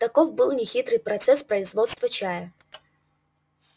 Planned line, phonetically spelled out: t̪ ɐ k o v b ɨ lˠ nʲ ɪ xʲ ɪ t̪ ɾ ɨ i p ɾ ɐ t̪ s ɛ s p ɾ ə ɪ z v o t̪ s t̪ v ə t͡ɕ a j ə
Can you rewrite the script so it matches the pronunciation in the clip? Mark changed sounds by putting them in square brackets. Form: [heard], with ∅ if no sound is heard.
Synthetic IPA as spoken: t̪ ɐ k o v b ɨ lˠ nʲ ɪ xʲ [i] t̪ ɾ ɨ [j] p ɾ ɐ t̪ s ɛ s p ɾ ə ɪ z v o t̪ s t̪ v ə t͡ɕ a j ə

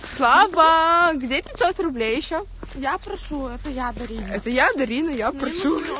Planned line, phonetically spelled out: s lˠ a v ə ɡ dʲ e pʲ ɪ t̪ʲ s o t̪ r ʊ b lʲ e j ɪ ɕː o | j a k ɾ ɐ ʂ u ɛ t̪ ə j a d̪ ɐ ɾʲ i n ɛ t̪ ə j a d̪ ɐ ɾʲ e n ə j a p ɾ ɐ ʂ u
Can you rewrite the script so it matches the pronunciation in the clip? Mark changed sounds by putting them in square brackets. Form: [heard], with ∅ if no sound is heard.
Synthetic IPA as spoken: s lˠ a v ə ɡ dʲ e pʲ ɪ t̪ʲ s o t̪ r ʊ b lʲ e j ɪ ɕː o | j a [p] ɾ ɐ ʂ u ɛ t̪ ə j a d̪ ɐ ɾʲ i n ɛ t̪ ə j a d̪ ɐ ɾʲ [i] n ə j a p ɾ ɐ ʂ u

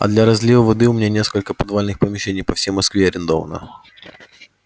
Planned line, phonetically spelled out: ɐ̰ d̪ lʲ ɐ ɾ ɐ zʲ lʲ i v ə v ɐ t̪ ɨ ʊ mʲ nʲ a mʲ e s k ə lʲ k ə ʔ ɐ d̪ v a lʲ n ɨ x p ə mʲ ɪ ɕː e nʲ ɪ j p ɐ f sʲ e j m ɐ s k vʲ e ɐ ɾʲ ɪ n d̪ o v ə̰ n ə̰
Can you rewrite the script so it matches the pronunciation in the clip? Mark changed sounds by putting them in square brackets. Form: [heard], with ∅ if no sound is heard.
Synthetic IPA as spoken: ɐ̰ d̪ lʲ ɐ ɾ ɐ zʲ lʲ i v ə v ɐ [d̪] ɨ ʊ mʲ nʲ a [nʲ] e s k ə lʲ k ə [p] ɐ d̪ v a lʲ n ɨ x p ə mʲ ɪ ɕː e nʲ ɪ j p ɐ f sʲ e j m ɐ s k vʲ e ɐ ɾʲ ɪ n d̪ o v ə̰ n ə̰

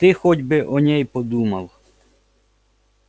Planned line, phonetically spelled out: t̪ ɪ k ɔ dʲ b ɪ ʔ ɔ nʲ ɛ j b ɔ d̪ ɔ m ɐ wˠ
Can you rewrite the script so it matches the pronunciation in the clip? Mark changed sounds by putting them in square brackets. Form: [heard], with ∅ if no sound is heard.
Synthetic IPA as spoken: t̪ ɪ [x] ɔ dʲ b ɪ ʔ ɔ nʲ ɛ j [p] ɔ d̪ [u] m ɐ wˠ

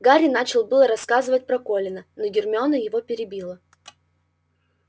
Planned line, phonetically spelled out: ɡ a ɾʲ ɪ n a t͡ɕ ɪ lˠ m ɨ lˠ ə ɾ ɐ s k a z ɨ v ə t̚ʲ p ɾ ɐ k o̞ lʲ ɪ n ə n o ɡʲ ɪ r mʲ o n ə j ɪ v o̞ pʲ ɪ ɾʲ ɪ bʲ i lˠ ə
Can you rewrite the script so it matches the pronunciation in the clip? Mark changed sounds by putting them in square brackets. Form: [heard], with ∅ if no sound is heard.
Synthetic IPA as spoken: ɡ a ɾʲ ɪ n a t͡ɕ ɪ lˠ [b] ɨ lˠ ə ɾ ɐ s k a z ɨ v ə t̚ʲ p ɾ ɐ k o̞ lʲ ɪ n ə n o ɡʲ ɪ r mʲ o n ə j ɪ v o̞ pʲ ɪ ɾʲ ɪ bʲ i lˠ ə

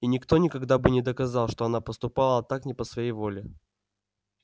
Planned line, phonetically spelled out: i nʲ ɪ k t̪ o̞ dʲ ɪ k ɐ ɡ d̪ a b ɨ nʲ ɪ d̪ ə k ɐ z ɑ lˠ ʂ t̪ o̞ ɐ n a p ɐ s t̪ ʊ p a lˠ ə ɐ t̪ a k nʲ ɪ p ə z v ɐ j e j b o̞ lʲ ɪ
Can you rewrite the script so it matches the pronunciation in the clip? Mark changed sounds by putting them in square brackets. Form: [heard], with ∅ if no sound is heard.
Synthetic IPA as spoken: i nʲ ɪ k t̪ o̞ [nʲ] ɪ k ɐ ɡ d̪ a b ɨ nʲ ɪ d̪ ə k ɐ z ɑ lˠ ʂ t̪ o̞ ɐ n a p [ə] s t̪ ʊ p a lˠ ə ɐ t̪ a k nʲ ɪ p ə [s] v ɐ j e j [v] o̞ lʲ ɪ

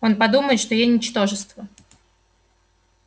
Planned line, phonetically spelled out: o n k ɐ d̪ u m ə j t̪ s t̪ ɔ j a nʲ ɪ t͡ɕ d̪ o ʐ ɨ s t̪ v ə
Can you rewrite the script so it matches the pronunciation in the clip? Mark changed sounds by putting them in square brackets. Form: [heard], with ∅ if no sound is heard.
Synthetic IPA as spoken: o n [p] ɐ d̪ u m ə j t̪ [ʂ] t̪ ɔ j [e] nʲ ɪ t͡ɕ [t̪] o ʐ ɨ s t̪ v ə

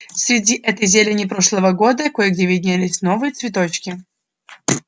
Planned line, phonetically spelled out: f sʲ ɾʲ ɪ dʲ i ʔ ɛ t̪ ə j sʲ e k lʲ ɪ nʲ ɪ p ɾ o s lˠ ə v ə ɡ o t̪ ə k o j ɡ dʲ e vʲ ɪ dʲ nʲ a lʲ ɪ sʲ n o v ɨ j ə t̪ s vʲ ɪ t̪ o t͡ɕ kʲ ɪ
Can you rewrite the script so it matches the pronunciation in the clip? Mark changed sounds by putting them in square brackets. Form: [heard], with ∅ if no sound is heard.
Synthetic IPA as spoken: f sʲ ɾʲ ɪ dʲ i ʔ ɛ t̪ ə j [zʲ] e [∅] lʲ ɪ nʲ ɪ p ɾ o [ʂ] lˠ ə v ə ɡ o [d̪] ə k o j ɡ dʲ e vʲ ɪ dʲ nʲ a lʲ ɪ sʲ n o v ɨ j ə t̪ s vʲ ɪ t̪ o t͡ɕ kʲ ɪ

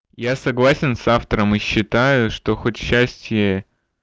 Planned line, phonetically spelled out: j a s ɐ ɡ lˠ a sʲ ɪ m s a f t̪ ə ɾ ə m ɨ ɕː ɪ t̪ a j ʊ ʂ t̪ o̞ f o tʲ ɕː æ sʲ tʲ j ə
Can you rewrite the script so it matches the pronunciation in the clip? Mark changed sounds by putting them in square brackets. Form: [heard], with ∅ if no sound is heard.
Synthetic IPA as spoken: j a s ɐ ɡ lˠ a sʲ ɪ [n] s a f t̪ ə ɾ ə m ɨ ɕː ɪ t̪ a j ʊ ʂ t̪ o̞ [x] o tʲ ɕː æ sʲ tʲ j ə

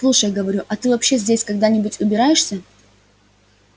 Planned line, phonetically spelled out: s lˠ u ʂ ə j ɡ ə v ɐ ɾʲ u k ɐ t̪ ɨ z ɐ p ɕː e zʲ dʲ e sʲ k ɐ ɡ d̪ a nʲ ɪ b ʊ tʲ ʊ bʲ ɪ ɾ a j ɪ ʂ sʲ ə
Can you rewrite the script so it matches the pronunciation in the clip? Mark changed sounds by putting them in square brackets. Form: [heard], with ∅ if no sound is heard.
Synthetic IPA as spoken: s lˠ u ʂ ə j ɡ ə v ɐ ɾʲ u [ʔ] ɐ t̪ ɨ [v] ɐ p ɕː e zʲ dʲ e sʲ k ɐ ɡ d̪ a nʲ ɪ b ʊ tʲ ʊ bʲ ɪ ɾ a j ɪ ʂ sʲ ə

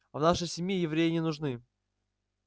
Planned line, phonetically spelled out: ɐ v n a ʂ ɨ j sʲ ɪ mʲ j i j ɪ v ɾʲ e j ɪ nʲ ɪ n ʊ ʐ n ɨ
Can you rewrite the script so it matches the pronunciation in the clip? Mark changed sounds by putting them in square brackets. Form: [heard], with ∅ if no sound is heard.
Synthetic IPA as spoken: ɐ v n a ʂ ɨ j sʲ ɪ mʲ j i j ɪ v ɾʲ e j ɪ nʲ ɪ n ʊ ʐ n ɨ

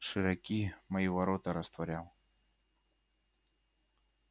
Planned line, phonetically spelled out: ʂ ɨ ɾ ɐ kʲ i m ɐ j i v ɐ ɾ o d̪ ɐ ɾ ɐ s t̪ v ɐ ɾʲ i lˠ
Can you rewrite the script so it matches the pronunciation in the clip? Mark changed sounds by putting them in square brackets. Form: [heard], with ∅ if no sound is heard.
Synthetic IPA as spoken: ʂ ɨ ɾ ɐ kʲ i m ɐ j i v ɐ ɾ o [t̪] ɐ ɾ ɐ s t̪ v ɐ ɾʲ [a] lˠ

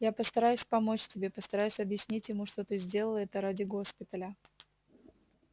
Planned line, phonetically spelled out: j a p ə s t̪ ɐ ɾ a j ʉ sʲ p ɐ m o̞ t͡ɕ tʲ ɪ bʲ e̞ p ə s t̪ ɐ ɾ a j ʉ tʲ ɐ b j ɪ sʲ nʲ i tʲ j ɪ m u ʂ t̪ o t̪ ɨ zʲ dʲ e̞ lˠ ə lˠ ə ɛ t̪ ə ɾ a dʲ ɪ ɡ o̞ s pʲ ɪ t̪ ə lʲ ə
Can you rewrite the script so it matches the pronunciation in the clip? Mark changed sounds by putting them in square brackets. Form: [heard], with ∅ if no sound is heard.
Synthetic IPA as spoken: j a p ə s t̪ ɐ ɾ a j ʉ sʲ p ɐ m o̞ t͡ɕ tʲ ɪ bʲ e̞ p ə s t̪ ɐ ɾ a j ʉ [sʲ] ɐ b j ɪ sʲ nʲ i tʲ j ɪ m u ʂ t̪ o t̪ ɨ zʲ dʲ e̞ lˠ ə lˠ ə ɛ t̪ ə ɾ a dʲ ɪ ɡ o̞ s pʲ ɪ t̪ ə lʲ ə

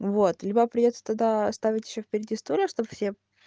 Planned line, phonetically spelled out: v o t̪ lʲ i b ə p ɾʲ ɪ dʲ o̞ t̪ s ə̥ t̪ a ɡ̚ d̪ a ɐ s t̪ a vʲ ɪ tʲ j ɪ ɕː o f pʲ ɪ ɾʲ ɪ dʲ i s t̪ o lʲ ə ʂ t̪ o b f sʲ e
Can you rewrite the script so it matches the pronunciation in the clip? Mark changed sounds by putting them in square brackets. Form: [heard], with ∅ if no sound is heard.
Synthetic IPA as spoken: v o t̪ lʲ i b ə p ɾʲ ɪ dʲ o̞ t̪ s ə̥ t̪ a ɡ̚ d̪ a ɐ s t̪ a vʲ ɪ tʲ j ɪ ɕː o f pʲ ɪ ɾʲ ɪ dʲ i s t̪ o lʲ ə ʂ t̪ o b f sʲ e

